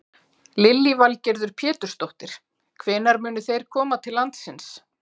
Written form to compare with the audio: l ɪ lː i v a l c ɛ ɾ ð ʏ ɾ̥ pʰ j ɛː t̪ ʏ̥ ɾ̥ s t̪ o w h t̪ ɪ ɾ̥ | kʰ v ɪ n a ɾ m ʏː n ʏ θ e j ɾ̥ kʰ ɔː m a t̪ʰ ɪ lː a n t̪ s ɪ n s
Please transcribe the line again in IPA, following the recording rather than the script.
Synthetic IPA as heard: l ɪ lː i v a l c ɛ ɾ ð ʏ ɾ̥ pʰ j ɛː t̪ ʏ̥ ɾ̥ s t̪ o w h t̪ ɪ ɾ̥ | kʰ v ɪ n a ɾ m ʏː n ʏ θ e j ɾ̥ kʰ ɔː m a t̪ʰ ɪ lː a n t̪ s ɪ n s